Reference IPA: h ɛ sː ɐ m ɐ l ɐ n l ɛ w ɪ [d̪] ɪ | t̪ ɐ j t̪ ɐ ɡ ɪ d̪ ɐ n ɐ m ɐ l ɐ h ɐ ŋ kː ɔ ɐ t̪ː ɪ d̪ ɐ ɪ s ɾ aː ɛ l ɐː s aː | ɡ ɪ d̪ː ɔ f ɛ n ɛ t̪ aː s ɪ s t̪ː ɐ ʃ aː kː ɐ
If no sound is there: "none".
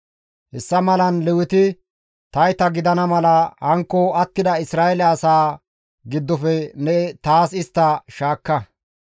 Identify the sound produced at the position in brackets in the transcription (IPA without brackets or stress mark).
t̪